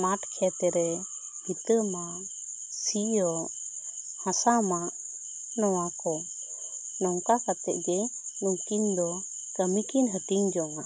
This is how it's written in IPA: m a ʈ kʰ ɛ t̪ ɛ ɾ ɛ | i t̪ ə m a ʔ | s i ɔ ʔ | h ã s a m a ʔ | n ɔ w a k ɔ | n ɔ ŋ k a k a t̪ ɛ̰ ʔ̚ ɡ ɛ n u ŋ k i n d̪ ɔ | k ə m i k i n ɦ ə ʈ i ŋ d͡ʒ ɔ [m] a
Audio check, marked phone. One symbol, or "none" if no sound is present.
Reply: ŋ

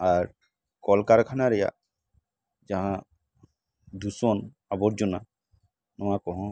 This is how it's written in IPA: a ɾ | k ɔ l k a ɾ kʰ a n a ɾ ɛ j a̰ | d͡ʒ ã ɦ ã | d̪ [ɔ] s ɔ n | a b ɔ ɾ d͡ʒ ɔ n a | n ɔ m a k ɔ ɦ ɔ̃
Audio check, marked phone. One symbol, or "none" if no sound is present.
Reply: u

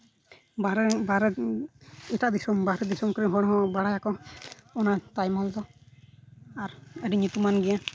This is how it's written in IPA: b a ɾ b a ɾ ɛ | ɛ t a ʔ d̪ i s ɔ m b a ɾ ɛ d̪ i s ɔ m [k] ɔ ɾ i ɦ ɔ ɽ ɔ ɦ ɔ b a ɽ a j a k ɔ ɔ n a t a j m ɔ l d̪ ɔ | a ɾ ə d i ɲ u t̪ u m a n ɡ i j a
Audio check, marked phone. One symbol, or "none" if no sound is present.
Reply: k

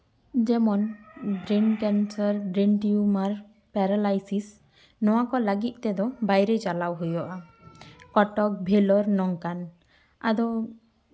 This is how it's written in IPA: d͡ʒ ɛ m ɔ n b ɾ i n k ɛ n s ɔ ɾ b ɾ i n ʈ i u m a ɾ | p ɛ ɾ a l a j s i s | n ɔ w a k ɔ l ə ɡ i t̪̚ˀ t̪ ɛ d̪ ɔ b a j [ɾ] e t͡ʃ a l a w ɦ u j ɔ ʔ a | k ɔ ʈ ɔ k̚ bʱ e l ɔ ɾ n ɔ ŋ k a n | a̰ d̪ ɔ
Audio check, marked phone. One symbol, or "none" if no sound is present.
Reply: ɾ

